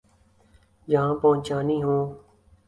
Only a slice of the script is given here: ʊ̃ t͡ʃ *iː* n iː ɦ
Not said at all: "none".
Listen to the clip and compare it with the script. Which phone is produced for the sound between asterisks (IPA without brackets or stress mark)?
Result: aː